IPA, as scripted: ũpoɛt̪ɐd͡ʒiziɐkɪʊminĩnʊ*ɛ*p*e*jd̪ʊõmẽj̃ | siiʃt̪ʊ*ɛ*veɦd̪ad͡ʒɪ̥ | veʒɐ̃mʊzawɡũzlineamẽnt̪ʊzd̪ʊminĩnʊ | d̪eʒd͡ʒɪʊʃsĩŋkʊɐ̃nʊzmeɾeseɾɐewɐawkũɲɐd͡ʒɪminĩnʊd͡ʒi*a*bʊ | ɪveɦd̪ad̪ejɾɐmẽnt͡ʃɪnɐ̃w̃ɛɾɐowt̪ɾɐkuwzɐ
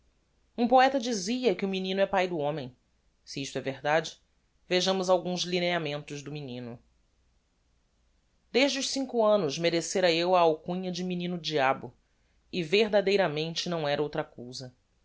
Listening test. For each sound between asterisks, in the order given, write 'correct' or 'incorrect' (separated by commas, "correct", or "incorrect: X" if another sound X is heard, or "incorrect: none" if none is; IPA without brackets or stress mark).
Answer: correct, incorrect: a, correct, correct